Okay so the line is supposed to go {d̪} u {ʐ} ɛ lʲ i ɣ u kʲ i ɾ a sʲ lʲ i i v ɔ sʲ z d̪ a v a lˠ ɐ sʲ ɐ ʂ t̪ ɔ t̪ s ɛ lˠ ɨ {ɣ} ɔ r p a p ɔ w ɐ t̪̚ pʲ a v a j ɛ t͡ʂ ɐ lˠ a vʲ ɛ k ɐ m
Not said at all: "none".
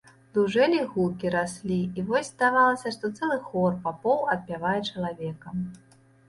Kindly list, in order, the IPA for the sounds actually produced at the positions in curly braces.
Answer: d̪, ʐ, x

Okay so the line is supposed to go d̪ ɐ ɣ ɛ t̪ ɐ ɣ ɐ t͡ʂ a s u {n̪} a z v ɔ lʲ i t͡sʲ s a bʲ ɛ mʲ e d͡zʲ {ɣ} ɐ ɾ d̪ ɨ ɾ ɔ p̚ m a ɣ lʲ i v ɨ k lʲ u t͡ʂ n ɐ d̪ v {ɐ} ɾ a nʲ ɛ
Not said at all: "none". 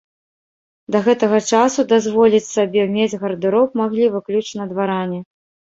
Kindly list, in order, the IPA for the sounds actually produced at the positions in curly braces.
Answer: d̪, ɣ, a

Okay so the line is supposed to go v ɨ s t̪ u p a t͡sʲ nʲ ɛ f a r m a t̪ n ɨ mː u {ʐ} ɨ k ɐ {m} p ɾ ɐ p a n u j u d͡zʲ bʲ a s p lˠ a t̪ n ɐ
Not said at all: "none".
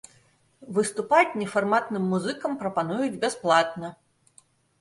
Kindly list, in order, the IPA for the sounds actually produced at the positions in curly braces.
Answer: z, m

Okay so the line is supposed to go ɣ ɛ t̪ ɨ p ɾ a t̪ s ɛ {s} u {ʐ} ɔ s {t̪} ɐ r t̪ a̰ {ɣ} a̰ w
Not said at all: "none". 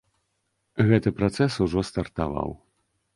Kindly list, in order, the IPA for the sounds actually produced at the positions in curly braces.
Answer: s, ʐ, t̪, v

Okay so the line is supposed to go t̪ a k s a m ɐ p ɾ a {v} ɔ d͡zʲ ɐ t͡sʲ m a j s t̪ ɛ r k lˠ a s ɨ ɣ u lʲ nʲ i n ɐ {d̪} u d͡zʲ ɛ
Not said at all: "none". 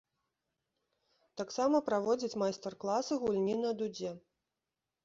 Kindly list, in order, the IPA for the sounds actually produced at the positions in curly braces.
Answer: v, d̪

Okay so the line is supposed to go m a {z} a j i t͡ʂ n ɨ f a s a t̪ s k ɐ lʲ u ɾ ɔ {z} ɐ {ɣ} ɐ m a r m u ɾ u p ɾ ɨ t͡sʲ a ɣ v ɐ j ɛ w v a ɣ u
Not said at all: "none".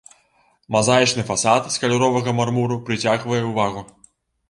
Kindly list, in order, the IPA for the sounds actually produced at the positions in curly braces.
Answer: z, v, ɣ

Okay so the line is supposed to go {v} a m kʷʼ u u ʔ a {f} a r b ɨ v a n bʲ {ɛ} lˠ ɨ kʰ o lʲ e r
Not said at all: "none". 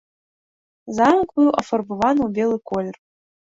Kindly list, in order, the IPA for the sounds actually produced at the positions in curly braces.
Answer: z, f, e

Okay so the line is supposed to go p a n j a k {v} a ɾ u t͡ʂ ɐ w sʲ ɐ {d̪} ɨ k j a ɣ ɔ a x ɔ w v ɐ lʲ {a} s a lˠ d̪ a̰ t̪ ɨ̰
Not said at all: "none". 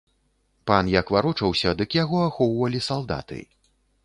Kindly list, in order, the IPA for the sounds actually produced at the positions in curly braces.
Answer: v, d̪, i

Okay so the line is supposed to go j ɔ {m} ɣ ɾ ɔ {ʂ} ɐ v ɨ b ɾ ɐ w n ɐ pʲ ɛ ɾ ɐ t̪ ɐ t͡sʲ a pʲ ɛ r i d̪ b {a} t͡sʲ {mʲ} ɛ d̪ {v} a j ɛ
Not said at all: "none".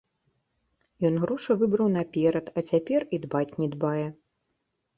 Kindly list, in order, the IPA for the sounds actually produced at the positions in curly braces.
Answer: n, ʂ, a, nʲ, b

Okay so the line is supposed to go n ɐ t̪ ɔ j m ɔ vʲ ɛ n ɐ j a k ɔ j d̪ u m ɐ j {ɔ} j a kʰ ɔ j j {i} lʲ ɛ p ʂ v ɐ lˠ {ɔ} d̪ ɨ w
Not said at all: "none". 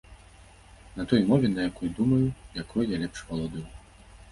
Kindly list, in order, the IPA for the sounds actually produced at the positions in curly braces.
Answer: u, a, ɔ

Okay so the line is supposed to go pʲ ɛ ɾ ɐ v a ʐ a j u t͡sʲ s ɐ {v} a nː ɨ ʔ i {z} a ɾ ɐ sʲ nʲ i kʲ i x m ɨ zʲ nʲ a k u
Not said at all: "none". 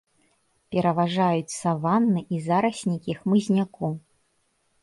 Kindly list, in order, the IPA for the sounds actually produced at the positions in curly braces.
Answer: v, z

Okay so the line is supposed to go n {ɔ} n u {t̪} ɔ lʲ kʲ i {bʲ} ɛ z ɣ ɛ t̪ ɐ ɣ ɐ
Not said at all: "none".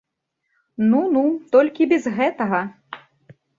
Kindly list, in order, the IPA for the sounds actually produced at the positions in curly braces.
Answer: u, t̪, bʲ

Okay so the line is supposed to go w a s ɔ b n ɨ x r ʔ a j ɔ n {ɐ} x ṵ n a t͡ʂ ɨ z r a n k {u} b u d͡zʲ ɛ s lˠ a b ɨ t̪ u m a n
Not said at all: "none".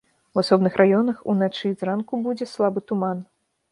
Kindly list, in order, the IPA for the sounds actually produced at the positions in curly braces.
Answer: ɐ, u

